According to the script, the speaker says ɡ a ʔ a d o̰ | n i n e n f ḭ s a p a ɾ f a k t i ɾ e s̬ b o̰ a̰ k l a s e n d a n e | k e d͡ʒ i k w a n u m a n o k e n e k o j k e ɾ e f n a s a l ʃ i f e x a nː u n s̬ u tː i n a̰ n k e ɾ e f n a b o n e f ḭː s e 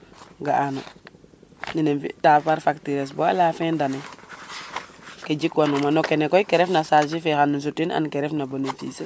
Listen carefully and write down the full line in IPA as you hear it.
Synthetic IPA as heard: ɡ a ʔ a n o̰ | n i n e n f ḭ t a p a ɾ f a k t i ɾ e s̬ b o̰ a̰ l a f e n d a n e | k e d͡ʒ i k w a n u m a n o k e n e k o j k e ɾ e f n a s a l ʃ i f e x a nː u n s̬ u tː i n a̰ n k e ɾ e f n a b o n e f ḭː s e